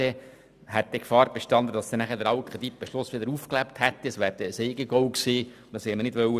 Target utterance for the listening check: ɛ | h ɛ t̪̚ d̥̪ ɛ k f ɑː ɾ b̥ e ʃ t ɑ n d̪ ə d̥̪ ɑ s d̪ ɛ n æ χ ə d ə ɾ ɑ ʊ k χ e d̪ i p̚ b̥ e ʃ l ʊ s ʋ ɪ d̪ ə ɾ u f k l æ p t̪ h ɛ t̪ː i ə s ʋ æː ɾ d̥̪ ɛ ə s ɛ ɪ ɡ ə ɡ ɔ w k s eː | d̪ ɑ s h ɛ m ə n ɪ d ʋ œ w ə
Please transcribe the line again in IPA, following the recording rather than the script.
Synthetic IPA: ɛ | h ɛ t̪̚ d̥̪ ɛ k f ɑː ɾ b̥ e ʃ t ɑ n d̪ ə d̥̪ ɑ s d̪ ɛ n æ χ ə d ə ɾ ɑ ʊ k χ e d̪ i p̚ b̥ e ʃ l ʊ s ʋ ɪ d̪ ə ɾ u f k l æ p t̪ h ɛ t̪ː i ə s ʋ æː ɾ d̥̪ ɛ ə s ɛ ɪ ɡ ə ɡ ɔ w k s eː | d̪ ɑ s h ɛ m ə n ɪ d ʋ œ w ə